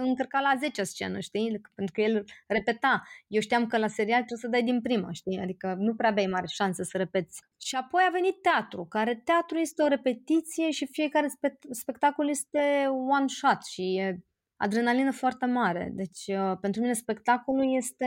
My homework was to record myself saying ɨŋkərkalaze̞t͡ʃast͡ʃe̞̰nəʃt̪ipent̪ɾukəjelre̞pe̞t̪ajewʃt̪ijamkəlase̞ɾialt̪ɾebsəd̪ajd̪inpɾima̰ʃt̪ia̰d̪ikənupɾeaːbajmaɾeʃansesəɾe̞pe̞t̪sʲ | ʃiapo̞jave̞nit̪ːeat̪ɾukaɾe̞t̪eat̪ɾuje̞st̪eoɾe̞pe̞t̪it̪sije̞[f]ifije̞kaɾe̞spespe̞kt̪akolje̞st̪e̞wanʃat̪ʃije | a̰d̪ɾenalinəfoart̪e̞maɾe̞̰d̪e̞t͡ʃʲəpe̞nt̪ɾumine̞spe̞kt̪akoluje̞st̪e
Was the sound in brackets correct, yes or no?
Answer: no